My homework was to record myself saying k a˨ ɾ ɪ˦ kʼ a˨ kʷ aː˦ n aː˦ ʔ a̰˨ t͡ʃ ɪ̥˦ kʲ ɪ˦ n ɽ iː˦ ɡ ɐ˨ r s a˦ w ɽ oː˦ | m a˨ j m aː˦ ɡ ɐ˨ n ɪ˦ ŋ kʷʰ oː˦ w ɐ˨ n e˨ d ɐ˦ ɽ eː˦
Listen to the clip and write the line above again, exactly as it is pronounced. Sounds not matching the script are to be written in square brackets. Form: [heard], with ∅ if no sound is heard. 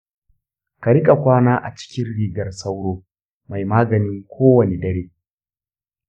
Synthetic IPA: k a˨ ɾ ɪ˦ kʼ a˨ kʷ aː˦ n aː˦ ʔ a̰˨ t͡ʃ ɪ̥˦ kʲ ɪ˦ n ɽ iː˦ ɡ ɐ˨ r s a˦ w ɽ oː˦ | m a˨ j m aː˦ ɡ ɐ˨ n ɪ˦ ŋ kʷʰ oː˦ w ɐ˨ n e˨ d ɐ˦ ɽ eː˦